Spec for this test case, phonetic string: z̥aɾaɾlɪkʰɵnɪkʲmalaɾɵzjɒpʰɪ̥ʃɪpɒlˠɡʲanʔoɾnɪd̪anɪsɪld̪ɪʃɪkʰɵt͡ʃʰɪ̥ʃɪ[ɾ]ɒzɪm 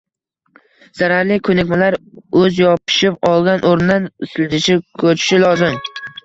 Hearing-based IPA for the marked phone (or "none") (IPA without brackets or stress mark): l